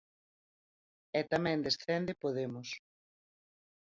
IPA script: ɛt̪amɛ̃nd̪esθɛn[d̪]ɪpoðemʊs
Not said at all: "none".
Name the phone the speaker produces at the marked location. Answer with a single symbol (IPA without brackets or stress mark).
d̪